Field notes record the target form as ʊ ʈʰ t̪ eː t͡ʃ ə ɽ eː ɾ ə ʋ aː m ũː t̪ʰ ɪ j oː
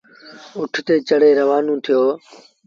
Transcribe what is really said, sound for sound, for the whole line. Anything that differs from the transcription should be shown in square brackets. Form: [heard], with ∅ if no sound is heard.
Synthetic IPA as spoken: ʊ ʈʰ t̪ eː t͡ʃ ə ɽ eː ɾ ə ʋ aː [n] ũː t̪ʰ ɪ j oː